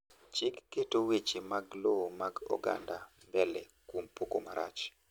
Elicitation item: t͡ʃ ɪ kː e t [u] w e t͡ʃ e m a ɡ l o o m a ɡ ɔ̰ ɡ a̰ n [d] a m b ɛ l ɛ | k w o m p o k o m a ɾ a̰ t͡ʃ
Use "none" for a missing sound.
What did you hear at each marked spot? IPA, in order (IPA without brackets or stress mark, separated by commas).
o, d